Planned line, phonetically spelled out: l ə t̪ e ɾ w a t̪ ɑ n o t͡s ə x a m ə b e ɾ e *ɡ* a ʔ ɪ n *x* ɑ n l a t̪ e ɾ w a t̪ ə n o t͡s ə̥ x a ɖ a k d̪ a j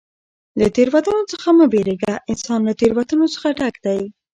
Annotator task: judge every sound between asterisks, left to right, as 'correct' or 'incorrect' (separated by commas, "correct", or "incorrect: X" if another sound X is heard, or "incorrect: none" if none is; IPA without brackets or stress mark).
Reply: correct, incorrect: s